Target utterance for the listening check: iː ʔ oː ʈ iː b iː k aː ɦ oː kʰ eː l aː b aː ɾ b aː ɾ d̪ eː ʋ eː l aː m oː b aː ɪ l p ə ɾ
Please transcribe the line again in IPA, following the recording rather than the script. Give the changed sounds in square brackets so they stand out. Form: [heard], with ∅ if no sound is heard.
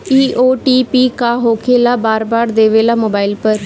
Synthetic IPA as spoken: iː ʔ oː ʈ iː [p] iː k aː ɦ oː kʰ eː l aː b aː ɾ b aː ɾ d̪ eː ʋ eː l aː m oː b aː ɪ l p ə ɾ

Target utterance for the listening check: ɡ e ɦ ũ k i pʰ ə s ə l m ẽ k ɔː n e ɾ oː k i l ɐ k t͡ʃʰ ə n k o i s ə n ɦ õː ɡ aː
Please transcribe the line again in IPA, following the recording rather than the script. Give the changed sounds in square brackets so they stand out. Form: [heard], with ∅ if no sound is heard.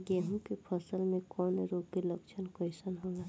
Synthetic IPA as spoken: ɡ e ɦ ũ k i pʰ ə s ə l m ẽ k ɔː n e ɾ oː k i l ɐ k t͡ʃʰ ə n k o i s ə n ɦ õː ɡ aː

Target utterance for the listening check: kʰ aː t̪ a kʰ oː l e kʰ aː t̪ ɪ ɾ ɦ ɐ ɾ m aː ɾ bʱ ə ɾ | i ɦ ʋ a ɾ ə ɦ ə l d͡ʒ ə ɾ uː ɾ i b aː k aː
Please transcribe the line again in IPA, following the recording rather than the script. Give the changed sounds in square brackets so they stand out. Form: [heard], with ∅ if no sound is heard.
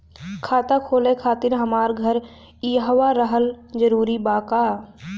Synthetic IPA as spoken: kʰ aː t̪ a kʰ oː l e kʰ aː t̪ ɪ ɾ ɦ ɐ [∅] m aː ɾ [ɡʱ] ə ɾ | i ɦ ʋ a ɾ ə ɦ ə l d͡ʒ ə ɾ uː ɾ i b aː k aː

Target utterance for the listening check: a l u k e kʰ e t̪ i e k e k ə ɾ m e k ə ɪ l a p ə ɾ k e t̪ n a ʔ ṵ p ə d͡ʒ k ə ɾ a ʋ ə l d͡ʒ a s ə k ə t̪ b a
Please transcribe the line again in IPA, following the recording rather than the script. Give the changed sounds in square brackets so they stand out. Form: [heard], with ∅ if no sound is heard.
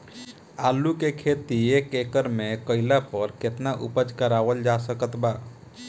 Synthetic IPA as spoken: a l u k e kʰ e t̪ i e k e k ə ɾ m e k ə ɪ l a p ə ɾ k e t̪ n a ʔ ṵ p ə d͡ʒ k ə ɾ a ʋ ə l d͡ʒ a s ə k ə t̪ b a

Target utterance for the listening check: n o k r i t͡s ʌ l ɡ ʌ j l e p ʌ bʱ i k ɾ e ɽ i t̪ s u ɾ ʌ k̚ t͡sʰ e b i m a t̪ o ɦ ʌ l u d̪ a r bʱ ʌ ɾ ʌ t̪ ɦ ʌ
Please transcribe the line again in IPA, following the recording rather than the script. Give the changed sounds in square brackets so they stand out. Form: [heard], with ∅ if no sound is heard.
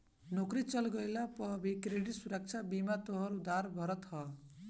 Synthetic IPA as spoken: n o k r i t͡s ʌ l ɡ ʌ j l [a] p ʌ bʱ i k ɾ e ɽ i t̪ s u ɾ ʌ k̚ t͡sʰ [a] b i m a t̪ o ɦ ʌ [ɾ] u d̪ a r bʱ ʌ ɾ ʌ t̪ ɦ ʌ

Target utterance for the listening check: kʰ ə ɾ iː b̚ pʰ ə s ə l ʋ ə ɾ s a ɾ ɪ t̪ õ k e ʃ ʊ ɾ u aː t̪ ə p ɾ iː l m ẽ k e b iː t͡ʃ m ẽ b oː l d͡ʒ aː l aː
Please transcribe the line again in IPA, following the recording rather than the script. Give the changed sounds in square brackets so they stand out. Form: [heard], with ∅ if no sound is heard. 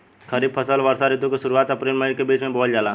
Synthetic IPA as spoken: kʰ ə ɾ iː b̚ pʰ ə s ə l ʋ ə ɾ s a ɾ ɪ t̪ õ k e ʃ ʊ ɾ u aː t̪ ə p ɾ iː l m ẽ k e b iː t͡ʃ m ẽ b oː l d͡ʒ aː l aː

